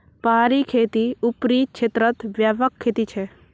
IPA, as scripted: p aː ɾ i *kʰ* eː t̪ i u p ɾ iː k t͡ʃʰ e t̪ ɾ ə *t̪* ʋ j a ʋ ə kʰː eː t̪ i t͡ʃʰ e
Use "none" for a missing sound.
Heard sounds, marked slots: kʰ, t̪

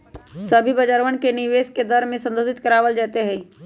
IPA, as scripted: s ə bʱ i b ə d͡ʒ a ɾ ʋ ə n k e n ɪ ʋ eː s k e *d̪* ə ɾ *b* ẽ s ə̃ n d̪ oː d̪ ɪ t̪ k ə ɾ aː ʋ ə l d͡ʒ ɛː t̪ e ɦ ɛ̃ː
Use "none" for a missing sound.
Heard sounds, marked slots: d̪, m

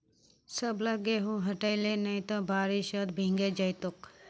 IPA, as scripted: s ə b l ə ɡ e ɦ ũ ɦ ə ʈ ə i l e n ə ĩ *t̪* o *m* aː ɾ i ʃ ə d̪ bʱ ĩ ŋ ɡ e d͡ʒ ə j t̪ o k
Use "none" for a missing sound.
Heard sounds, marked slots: t̪, b

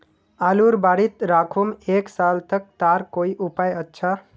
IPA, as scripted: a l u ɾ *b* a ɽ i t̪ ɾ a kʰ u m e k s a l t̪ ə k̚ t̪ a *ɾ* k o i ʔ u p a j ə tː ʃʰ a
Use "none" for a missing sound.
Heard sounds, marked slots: b, ɾ

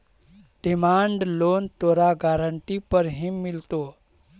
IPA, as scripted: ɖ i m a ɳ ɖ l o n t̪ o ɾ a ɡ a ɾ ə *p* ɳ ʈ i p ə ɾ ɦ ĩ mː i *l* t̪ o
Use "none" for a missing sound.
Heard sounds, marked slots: none, l

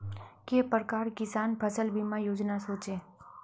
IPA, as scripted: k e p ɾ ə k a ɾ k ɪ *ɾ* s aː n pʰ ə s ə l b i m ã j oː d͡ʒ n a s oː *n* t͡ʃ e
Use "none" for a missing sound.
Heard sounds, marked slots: none, none

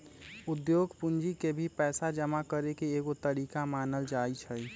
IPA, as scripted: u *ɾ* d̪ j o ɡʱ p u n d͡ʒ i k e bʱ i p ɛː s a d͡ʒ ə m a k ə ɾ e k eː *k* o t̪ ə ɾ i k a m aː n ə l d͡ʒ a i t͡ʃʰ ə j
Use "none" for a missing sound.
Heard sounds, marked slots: none, ɡ

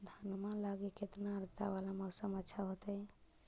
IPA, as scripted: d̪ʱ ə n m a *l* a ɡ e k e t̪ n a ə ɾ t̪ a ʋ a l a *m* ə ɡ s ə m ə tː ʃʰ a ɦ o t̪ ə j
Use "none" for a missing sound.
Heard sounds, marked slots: l, m

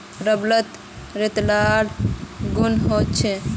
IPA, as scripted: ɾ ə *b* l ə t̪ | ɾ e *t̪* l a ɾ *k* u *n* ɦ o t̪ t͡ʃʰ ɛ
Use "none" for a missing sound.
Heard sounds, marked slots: b, t̪, ɡ, n

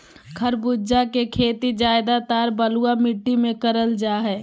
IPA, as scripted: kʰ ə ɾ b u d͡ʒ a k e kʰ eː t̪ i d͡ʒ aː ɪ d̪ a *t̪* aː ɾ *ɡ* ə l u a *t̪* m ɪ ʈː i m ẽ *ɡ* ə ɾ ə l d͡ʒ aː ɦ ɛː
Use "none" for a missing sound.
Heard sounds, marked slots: t̪, b, none, k

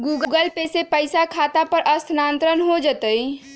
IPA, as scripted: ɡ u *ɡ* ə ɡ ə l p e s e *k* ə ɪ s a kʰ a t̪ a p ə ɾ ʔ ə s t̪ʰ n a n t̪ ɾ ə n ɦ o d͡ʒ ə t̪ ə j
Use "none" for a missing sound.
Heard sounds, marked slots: ɡ, p

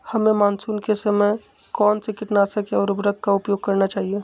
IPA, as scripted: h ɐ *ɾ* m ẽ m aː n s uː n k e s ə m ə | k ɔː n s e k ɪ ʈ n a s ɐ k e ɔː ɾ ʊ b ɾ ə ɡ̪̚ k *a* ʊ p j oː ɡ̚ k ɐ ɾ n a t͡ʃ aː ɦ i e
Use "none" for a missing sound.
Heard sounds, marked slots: none, a

